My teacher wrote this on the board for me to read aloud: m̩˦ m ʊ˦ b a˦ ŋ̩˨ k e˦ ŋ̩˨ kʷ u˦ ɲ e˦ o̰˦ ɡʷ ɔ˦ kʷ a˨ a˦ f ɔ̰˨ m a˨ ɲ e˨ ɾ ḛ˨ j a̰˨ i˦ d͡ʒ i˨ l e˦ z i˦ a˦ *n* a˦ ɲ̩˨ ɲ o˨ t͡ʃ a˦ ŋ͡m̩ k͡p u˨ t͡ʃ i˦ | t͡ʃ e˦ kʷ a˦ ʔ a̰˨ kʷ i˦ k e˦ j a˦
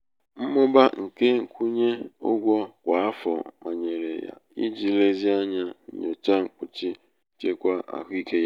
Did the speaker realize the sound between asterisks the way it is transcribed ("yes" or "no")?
no